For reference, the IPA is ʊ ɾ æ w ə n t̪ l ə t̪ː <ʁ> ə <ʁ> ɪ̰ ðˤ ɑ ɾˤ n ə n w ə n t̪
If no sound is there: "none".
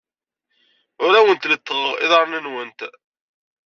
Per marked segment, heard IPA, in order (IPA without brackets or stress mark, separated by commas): ʁ, ʁ